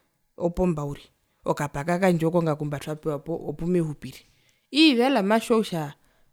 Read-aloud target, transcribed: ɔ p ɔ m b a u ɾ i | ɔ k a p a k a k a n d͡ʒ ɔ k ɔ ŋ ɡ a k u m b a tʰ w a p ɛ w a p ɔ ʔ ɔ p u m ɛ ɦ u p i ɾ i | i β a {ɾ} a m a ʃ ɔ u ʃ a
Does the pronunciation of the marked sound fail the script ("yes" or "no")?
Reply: yes